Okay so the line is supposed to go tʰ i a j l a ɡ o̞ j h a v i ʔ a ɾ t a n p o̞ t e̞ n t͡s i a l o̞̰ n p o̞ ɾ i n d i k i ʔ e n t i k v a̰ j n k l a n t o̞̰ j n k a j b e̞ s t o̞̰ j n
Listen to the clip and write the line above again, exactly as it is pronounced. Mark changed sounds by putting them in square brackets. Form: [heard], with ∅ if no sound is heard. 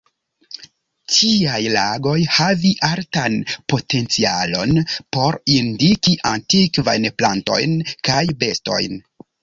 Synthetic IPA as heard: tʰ i a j l a ɡ o̞ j h a v i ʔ a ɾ t a n p o̞ t e̞ n t͡s i a l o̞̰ n p o̞ ɾ i n d i k i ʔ [a] n t i k v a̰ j n [p] l a n t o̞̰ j n k a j b e̞ s t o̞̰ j n